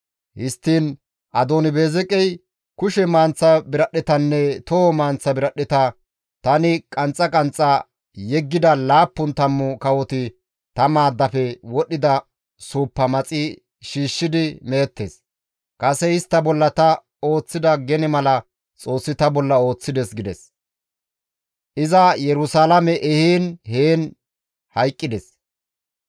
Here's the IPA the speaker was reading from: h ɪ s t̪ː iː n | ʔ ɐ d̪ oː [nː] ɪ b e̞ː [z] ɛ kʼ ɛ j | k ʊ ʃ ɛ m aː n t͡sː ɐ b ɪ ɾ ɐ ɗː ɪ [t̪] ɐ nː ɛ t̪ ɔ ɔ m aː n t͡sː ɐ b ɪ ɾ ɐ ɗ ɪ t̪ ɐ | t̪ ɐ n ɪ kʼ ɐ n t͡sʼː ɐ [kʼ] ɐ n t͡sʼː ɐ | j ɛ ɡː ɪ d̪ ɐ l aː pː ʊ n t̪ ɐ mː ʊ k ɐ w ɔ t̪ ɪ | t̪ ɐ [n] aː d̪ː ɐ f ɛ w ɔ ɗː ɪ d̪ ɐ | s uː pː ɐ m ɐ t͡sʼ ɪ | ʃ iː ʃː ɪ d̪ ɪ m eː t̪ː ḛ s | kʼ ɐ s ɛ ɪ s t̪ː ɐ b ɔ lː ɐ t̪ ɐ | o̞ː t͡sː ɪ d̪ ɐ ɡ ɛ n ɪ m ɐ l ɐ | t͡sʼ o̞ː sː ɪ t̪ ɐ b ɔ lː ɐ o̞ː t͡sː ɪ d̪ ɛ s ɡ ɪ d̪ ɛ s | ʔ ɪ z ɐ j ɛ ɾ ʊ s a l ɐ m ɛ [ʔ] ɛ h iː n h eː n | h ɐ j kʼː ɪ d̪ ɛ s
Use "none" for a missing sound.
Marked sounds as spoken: n, z, t̪, kʼ, m, ʔ

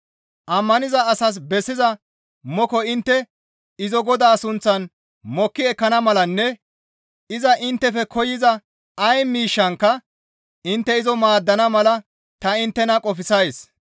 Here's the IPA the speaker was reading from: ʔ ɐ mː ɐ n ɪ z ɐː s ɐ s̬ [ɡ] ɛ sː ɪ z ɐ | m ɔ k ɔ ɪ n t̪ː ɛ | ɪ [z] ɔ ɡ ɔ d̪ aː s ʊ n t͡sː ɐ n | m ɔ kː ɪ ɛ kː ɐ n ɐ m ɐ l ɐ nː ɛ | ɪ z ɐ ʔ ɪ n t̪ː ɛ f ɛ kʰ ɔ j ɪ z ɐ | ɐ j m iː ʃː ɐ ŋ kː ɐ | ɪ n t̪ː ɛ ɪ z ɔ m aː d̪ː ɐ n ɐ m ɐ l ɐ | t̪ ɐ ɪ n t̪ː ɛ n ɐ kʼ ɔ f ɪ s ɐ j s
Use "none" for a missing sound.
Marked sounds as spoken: b, z

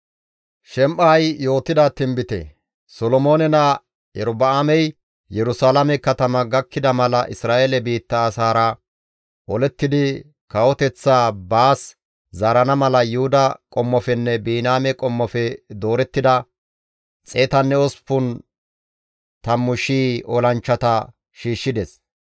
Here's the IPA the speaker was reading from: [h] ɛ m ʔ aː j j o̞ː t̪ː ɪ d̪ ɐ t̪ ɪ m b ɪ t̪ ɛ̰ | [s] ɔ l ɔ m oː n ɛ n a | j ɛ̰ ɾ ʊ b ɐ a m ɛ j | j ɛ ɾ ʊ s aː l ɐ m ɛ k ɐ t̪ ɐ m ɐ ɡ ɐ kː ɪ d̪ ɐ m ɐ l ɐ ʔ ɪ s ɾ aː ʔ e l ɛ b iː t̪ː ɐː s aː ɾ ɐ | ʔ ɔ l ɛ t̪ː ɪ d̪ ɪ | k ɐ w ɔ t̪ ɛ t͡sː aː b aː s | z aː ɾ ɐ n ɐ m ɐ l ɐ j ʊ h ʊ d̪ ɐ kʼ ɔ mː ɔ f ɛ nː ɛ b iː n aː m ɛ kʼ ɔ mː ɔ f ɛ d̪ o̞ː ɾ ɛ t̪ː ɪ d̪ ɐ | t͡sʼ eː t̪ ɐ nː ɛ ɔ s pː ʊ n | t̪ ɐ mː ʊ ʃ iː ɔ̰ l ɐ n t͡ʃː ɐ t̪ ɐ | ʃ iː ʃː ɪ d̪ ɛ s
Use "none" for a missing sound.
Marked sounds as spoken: ʃ, s

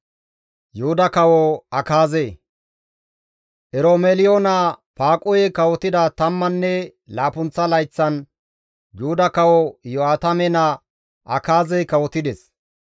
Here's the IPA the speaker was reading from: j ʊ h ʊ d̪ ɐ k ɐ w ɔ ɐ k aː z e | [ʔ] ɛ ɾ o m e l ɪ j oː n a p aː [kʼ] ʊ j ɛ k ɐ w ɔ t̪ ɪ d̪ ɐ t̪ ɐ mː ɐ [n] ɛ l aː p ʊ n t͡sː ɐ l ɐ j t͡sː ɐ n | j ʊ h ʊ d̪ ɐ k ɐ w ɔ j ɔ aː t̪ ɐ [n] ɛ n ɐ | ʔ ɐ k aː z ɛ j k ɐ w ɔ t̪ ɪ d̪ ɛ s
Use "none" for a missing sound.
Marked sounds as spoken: ʔ, kʼ, nː, m

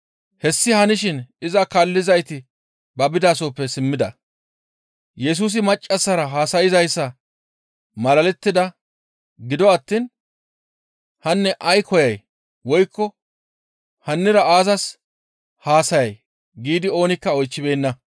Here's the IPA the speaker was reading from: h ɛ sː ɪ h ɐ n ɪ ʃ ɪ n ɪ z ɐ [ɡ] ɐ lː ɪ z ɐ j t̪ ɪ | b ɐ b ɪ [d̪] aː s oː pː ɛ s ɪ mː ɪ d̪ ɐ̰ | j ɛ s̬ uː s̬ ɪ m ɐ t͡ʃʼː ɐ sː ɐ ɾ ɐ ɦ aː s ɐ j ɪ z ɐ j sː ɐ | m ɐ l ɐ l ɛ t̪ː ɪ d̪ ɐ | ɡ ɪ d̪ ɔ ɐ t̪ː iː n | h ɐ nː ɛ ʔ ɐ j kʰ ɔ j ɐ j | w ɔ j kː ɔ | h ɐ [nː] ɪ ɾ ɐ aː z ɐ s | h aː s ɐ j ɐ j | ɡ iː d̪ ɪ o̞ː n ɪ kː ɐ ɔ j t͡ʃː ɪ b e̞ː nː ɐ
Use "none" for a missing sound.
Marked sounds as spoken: k, d̪, nː

